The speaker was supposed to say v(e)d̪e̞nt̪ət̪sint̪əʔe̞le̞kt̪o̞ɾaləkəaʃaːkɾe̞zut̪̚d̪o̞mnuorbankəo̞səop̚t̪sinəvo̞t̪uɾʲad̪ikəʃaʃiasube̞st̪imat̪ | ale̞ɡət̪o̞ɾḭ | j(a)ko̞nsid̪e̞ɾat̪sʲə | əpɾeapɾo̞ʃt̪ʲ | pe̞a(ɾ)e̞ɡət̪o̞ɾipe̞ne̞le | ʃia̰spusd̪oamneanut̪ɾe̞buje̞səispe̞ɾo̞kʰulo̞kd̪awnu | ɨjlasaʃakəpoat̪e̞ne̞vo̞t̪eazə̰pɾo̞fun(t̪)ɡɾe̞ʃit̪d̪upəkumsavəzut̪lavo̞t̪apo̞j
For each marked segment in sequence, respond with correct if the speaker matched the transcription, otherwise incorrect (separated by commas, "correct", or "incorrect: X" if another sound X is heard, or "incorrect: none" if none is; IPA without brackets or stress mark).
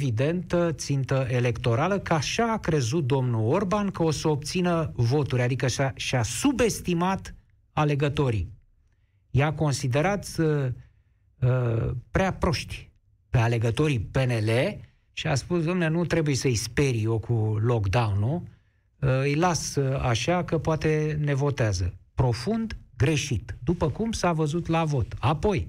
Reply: incorrect: i, correct, incorrect: l, incorrect: d̪